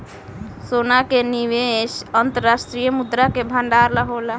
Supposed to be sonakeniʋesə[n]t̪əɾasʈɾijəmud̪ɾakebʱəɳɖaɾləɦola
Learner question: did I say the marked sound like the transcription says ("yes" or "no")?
yes